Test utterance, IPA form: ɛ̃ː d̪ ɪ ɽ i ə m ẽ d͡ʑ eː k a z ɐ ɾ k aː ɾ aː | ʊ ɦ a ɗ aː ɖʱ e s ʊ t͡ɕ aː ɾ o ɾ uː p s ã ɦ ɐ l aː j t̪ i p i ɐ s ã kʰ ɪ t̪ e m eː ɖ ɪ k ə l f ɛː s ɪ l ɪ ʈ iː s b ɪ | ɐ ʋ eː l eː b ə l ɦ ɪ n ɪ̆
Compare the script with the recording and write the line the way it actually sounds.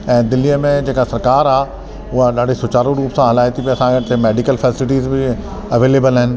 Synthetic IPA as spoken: ɛ̃ː d̪ ɪ l i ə m ẽ d͡ʑ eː k a s ɐ ɾ k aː ɾ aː | ʊ ɦ a ɗ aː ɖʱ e s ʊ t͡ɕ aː ɾ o ɾ uː p s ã ɦ ɐ l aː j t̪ i p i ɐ s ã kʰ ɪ t̪ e m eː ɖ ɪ k ə l f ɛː s ɪ l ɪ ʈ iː z b ɪ | ɐ ʋ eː l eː b ə l ɦ ɪ n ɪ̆